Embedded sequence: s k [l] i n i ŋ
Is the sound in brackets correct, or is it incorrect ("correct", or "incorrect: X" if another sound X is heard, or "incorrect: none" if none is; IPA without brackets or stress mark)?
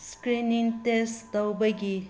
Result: incorrect: ɾ